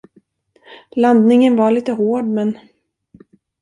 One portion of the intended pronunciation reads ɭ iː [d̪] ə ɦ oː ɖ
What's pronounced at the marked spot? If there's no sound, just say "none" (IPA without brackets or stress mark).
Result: t̪